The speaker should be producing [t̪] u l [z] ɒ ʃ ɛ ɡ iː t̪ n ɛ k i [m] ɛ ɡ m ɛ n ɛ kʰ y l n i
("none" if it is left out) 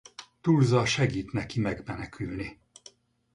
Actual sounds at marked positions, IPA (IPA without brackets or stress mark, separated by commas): t̪, z, m